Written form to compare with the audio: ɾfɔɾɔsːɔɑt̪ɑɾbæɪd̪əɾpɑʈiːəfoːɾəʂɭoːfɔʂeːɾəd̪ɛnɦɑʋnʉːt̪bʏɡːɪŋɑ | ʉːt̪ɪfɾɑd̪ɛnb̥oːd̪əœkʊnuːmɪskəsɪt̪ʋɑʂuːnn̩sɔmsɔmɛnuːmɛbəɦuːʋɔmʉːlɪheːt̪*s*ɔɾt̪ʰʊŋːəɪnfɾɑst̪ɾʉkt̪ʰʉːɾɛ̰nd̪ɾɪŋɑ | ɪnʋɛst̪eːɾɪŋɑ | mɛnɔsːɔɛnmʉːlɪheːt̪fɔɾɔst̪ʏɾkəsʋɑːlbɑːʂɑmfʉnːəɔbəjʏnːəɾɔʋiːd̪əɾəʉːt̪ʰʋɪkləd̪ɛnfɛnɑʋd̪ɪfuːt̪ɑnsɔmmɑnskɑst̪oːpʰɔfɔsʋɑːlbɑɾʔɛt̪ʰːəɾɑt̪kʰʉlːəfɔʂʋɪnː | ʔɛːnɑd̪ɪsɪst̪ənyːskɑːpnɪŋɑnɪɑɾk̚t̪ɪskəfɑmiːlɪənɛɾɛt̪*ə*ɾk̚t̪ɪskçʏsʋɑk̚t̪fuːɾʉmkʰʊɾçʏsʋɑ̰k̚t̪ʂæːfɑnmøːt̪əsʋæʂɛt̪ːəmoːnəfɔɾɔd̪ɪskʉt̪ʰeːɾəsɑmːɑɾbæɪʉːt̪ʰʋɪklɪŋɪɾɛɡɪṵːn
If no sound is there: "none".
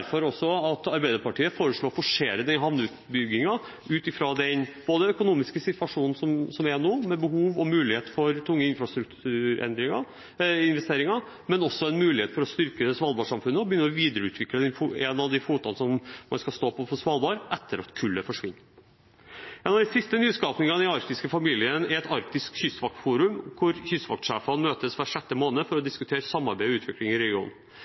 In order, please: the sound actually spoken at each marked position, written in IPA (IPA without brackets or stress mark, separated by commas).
f, ɑ